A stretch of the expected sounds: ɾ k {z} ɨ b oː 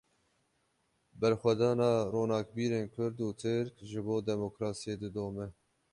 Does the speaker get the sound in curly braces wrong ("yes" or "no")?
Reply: yes